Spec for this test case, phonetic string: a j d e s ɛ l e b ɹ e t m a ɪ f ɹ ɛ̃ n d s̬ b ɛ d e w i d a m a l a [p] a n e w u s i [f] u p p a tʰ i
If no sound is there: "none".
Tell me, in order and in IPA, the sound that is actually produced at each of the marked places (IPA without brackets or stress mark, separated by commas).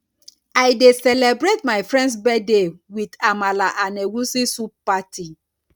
ʔ, s